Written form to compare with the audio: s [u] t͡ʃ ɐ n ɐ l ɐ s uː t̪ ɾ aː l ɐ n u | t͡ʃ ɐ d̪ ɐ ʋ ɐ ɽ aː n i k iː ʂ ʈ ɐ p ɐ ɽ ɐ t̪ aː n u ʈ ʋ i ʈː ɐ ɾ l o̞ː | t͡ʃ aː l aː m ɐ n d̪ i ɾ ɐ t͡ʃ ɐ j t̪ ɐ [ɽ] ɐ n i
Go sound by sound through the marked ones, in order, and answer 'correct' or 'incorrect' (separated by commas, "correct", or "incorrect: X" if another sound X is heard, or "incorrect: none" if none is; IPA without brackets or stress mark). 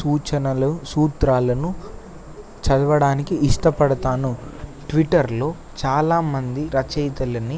incorrect: uː, incorrect: l